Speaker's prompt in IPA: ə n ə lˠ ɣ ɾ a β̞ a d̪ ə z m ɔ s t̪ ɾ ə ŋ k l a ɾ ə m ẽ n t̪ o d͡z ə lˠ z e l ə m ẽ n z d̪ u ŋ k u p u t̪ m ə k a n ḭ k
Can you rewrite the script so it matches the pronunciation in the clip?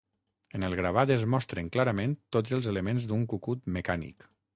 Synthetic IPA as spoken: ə n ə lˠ ɣ ɾ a β̞ a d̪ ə z m ɔ s t̪ ɾ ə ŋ k l a ɾ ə m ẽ n t̪ o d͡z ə lˠ z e l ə m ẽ n z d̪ u ŋ k u k u t̪ m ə k a n ḭ k